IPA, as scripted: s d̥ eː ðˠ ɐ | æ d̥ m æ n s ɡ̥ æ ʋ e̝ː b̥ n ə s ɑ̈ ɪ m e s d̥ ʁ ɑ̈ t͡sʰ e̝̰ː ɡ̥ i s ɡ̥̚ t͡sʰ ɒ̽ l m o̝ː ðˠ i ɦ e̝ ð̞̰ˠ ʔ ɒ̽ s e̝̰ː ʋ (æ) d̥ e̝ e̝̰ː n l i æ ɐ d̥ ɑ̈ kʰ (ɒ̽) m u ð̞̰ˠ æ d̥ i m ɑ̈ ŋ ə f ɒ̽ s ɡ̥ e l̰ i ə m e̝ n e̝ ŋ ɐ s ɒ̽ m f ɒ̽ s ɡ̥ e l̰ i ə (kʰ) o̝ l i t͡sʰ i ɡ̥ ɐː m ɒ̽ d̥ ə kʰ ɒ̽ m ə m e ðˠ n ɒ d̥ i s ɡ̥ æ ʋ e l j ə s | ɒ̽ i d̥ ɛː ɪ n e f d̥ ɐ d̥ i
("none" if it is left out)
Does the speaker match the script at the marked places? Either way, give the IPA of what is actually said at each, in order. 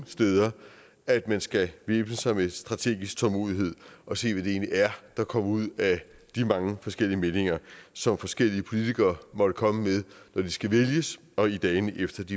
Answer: æ, ɒ̽, pʰ

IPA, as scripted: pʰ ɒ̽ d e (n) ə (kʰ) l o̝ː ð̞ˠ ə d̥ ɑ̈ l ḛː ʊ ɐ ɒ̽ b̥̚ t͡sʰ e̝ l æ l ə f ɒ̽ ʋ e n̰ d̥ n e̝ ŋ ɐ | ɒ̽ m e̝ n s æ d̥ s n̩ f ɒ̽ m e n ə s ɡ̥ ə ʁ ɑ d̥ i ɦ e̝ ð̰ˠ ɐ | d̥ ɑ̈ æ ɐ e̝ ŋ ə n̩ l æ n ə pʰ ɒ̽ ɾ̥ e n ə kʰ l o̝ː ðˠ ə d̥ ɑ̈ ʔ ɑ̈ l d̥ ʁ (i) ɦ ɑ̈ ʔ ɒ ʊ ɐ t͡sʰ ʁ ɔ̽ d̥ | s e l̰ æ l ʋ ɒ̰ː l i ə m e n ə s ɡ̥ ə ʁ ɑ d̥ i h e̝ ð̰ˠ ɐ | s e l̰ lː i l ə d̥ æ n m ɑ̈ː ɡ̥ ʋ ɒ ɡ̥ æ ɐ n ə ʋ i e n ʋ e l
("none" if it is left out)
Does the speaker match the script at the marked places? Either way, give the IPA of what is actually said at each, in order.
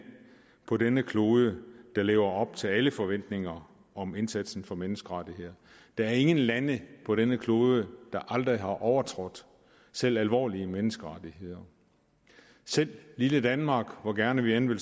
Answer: n, kʰ, i

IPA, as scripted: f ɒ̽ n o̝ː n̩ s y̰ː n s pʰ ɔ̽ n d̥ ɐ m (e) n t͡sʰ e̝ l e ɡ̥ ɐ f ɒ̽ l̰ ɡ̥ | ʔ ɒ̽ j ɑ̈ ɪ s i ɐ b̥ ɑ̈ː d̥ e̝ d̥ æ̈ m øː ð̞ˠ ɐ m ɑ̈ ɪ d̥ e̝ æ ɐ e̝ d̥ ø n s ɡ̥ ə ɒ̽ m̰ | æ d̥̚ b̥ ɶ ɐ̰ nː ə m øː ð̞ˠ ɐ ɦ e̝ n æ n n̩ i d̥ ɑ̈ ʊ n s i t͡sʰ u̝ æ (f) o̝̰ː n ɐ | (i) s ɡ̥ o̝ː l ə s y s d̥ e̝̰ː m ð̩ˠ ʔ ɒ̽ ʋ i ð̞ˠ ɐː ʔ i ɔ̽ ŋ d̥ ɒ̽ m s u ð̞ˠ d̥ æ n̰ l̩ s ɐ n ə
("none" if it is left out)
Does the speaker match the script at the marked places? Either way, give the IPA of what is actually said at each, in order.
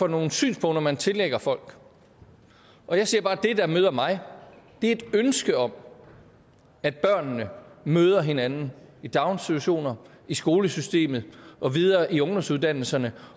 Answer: æ, ɕ, i

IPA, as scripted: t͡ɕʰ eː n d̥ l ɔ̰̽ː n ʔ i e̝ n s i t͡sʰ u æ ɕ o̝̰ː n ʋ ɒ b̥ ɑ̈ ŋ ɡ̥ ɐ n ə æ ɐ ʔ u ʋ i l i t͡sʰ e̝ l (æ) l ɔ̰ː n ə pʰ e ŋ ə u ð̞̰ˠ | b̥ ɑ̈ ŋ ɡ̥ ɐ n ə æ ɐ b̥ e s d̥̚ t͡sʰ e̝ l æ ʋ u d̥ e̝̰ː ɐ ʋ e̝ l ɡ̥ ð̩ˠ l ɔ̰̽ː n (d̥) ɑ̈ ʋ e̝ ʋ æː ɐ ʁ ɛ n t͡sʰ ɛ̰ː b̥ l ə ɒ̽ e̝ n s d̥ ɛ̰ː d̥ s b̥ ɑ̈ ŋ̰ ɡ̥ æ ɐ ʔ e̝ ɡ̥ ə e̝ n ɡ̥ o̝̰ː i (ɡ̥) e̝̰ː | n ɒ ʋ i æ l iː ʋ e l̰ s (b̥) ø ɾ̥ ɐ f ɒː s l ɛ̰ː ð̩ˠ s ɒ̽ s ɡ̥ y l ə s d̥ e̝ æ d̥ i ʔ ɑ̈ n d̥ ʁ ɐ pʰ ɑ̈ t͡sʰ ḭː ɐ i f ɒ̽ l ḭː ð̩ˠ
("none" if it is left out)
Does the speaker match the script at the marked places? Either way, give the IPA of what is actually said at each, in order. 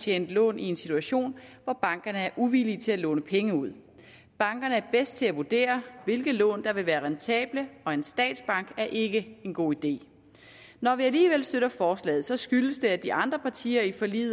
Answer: æ, d̥, d̥, d̥

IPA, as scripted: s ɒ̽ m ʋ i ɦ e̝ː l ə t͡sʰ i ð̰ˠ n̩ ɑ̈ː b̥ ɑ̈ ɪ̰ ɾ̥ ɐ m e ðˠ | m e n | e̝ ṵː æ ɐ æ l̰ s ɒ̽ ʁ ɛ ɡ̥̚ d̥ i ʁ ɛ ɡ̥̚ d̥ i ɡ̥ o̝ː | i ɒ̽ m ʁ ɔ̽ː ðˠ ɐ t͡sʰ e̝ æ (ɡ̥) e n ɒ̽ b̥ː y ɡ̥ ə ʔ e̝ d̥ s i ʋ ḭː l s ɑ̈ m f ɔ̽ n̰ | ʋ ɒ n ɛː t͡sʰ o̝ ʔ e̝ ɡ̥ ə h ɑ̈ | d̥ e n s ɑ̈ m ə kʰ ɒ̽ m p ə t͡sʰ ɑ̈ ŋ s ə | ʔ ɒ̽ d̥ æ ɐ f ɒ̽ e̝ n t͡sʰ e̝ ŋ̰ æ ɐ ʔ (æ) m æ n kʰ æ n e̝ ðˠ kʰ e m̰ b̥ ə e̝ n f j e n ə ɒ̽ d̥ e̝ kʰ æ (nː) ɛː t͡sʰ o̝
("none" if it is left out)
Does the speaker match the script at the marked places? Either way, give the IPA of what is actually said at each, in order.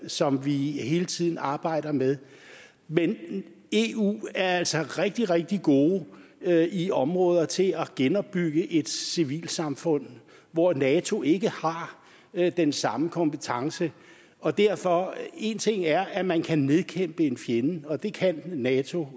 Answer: ɡ̥, æ, nː

